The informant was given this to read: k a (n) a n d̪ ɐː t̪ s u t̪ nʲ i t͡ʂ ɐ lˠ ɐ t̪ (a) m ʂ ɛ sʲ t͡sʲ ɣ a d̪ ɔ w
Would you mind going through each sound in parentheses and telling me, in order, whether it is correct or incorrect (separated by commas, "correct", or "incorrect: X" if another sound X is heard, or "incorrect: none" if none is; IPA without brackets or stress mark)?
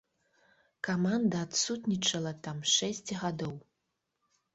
incorrect: m, correct